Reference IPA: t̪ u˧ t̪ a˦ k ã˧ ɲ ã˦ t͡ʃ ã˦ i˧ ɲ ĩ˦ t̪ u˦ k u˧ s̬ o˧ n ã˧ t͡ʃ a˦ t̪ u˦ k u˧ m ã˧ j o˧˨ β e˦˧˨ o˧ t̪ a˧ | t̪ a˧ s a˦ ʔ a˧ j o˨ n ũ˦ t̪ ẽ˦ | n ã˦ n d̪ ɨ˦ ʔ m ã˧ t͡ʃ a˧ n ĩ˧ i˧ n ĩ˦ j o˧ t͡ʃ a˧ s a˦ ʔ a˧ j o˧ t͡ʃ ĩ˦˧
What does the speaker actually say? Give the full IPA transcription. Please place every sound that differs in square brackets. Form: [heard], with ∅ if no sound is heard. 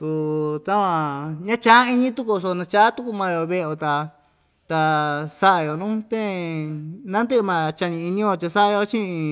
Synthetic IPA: t̪ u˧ t̪ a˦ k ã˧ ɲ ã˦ t͡ʃ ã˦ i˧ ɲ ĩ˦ t̪ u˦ k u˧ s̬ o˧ n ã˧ t͡ʃ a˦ t̪ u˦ k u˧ m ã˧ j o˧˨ β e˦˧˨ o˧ t̪ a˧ | t̪ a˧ s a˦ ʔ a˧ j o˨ n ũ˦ t̪ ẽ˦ | n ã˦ n d̪ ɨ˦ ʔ m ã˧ t͡ʃ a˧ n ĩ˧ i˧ n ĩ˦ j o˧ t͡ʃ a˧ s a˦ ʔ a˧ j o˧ t͡ʃ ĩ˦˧